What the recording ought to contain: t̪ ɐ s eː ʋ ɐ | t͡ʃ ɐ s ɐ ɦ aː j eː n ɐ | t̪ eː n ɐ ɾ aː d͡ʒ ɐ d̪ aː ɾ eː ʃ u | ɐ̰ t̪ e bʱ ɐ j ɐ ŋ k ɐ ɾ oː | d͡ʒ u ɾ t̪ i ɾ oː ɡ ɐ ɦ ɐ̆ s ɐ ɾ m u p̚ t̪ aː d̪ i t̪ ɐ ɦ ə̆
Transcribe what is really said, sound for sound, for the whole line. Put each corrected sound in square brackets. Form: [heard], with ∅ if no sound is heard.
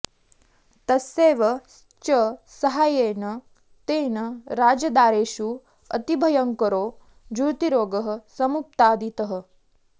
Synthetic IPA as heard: t̪ ɐ s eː ʋ ɐ | t͡ʃ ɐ s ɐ ɦ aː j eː n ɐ | t̪ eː n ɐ ɾ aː d͡ʒ ɐ d̪ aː ɾ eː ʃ u | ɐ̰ t̪ [i] bʱ ɐ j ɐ ŋ k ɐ ɾ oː | d͡ʒ u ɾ t̪ i ɾ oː ɡ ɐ ɦ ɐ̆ s ɐ [∅] m u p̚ t̪ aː d̪ i t̪ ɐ ɦ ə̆